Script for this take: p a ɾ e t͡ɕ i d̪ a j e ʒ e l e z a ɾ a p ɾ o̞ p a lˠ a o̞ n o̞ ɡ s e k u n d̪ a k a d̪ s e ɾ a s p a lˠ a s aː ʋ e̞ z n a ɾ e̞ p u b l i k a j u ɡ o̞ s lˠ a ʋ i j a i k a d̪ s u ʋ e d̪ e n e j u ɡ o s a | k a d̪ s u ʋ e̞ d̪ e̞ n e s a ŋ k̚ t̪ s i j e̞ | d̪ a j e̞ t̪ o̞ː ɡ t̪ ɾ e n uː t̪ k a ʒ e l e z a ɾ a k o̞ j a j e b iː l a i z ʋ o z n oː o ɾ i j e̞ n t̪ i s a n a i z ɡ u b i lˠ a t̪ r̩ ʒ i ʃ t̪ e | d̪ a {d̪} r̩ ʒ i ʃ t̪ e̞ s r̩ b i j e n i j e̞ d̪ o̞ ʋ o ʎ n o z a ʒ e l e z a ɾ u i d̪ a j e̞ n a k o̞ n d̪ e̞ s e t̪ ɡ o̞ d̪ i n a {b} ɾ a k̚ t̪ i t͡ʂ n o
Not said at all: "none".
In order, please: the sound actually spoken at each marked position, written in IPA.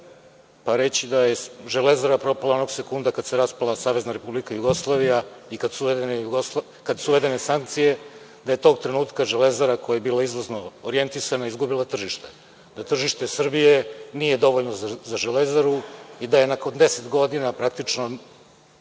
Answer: t̪, p

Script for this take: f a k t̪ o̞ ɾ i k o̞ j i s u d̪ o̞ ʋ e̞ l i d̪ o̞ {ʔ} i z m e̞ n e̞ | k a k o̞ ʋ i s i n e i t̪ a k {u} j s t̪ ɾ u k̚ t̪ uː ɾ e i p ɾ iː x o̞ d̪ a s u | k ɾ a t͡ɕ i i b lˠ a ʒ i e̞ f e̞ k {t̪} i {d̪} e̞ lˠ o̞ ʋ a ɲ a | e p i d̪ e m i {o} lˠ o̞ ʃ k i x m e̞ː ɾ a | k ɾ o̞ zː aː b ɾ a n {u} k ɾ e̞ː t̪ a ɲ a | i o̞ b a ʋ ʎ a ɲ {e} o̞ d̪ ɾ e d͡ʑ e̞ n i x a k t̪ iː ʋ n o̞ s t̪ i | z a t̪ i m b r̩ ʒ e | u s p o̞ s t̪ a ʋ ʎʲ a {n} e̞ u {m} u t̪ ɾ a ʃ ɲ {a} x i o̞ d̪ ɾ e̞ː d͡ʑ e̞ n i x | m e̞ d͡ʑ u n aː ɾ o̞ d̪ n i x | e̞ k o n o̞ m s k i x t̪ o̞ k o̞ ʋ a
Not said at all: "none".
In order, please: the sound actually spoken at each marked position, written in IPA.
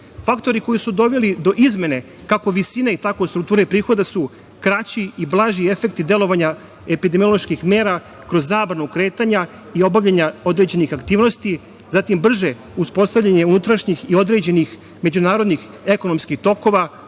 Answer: ʔ, o, t̪, d̪, o, u, a, ɲ, n, i

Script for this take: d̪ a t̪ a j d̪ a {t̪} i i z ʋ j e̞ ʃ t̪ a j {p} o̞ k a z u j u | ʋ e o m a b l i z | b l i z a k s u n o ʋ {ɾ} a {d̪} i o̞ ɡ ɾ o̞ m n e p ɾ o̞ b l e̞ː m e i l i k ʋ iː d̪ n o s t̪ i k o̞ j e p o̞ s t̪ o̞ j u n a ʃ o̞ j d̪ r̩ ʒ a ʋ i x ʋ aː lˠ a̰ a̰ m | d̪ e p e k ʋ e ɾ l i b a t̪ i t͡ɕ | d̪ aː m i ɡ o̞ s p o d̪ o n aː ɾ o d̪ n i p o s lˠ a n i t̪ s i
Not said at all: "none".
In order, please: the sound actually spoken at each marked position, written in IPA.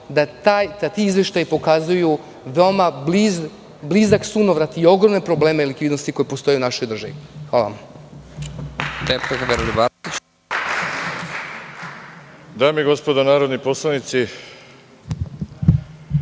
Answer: t̪, p, ɾ, t̪

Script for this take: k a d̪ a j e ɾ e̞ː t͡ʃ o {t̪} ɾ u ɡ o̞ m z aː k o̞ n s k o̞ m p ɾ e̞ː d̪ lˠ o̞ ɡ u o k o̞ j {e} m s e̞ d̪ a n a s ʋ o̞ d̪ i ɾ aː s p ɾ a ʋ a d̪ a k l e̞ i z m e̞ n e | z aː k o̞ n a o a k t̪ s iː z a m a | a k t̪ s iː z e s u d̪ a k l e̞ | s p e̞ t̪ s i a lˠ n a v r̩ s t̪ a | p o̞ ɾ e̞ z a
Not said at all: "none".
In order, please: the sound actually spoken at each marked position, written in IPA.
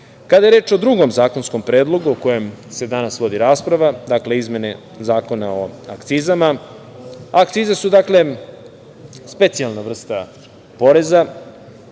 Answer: d̪, e

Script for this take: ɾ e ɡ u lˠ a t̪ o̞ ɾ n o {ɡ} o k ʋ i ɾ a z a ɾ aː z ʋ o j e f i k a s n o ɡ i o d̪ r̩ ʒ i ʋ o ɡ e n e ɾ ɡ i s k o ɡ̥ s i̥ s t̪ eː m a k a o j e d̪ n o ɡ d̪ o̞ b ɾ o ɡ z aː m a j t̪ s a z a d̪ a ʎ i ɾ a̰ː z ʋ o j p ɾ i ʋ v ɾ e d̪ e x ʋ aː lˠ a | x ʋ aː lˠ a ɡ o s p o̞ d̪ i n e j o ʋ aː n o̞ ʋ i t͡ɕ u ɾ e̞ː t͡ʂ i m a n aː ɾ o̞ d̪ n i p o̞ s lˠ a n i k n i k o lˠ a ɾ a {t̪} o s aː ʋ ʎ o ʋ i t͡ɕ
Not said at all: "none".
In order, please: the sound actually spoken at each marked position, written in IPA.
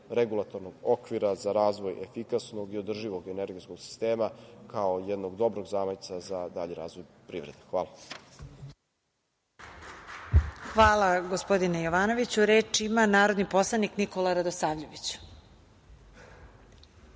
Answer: ɡ, d̪

